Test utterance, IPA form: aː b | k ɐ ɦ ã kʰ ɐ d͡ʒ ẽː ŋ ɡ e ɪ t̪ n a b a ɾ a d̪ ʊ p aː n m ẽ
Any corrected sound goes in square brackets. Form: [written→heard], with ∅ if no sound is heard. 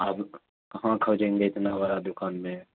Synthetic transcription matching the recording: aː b | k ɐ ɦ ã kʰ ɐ d͡ʒ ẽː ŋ ɡ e ɪ t̪ n a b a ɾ a d̪ ʊ [p→k] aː n m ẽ

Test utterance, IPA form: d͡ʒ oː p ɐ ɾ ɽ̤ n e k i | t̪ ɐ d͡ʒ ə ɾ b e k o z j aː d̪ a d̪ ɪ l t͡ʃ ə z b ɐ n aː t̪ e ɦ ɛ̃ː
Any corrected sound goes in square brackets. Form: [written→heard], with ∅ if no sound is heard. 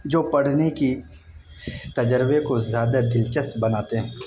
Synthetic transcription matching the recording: d͡ʒ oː p ɐ [ɾ→∅] ɽ̤ n e k i | t̪ ɐ d͡ʒ ə ɾ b e k o z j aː d̪ a d̪ ɪ l t͡ʃ ə [z→s] b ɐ n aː t̪ e ɦ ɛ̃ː

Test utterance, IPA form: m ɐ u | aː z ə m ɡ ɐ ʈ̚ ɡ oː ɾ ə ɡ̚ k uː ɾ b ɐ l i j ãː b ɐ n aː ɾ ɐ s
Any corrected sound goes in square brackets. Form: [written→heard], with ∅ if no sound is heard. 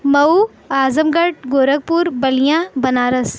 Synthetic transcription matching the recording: m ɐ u | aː z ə m ɡ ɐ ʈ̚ ɡ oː ɾ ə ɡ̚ [k→p] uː ɾ b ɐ l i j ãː b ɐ n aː ɾ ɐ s

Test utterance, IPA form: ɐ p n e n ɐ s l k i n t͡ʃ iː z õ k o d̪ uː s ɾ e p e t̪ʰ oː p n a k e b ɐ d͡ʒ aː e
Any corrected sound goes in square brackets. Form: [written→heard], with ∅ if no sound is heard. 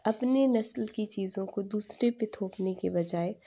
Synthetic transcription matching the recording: ɐ p n e n ɐ s l k i [n→∅] t͡ʃ iː z õ k o d̪ uː s ɾ e p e t̪ʰ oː p n [a→e] k e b ɐ d͡ʒ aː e

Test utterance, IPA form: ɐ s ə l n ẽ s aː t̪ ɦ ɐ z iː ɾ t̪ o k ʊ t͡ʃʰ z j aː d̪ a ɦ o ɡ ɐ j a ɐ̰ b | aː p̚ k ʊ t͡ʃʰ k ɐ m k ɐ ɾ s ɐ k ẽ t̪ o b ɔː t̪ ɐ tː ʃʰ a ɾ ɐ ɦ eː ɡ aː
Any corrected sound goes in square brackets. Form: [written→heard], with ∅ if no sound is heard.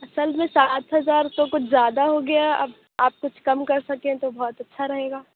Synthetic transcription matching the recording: ɐ s ə l [n→m] ẽ s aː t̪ ɦ ɐ z [iː→aː] ɾ t̪ o k ʊ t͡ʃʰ z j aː d̪ a ɦ o ɡ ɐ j a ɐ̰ b | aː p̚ k ʊ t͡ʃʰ k ɐ m k ɐ ɾ s ɐ k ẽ t̪ o b ɔː t̪ ɐ tː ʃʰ a ɾ ɐ ɦ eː ɡ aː

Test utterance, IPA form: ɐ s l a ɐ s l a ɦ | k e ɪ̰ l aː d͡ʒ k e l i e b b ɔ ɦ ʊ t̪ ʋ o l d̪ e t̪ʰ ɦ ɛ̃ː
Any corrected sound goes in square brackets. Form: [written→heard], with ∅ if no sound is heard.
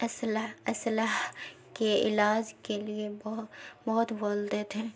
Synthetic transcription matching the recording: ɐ s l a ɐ s l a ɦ | k e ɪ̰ l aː d͡ʒ k e l i e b b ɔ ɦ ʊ t̪ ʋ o l d̪ e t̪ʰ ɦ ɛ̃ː

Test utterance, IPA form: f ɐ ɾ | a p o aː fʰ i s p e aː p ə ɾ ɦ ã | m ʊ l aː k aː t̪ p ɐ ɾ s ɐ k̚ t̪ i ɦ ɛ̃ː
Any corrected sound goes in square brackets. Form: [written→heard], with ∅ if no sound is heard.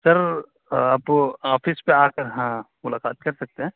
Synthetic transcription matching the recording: [f→s] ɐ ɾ | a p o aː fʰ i s p e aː [p→k] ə ɾ ɦ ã | m ʊ l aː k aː t̪ [p→k] ɐ ɾ s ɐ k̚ t̪ [i→e] ɦ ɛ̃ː

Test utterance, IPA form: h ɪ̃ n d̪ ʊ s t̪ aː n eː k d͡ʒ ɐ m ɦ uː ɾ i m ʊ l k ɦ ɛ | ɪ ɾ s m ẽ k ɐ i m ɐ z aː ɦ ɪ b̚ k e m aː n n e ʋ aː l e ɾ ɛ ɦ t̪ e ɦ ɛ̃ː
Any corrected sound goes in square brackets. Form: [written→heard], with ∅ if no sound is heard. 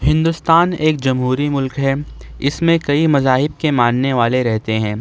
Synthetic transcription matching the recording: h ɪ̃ n d̪ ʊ s t̪ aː n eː k d͡ʒ ɐ m ɦ uː ɾ i m ʊ l k ɦ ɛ | ɪ [ɾ→∅] s m ẽ k ɐ i m ɐ z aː ɦ ɪ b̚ k e m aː n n e ʋ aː l e ɾ ɛ ɦ t̪ e ɦ ɛ̃ː

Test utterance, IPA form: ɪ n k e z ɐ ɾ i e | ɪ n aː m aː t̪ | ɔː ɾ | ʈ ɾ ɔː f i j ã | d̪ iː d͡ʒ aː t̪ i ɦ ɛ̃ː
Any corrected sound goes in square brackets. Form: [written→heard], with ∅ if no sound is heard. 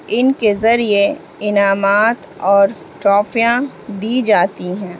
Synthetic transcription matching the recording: ɪ n k e z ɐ ɾ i e | ɪ n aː m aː t̪ | ɔː ɾ | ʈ ɾ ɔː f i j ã | d̪ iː d͡ʒ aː t̪ i ɦ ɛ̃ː

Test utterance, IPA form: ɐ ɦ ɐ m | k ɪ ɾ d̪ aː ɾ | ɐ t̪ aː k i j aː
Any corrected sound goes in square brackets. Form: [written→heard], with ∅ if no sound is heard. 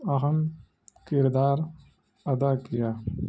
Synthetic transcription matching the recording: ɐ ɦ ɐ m | k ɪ ɾ d̪ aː ɾ | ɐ [t̪→d̪] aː k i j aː

